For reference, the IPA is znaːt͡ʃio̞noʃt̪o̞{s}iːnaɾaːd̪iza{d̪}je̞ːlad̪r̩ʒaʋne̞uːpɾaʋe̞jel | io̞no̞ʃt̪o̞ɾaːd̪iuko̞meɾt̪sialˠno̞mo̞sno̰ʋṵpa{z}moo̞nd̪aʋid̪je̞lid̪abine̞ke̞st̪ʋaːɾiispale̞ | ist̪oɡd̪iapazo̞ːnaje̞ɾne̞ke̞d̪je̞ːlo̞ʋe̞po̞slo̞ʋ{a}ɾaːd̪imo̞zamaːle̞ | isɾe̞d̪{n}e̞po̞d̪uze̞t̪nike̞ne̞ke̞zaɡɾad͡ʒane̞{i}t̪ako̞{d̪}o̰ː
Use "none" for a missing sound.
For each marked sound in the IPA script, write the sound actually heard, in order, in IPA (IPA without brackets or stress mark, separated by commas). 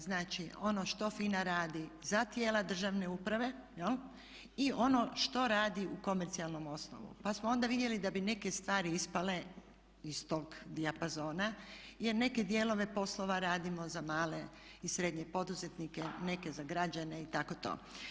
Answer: f, t̪, s, a, ɲ, i, t̪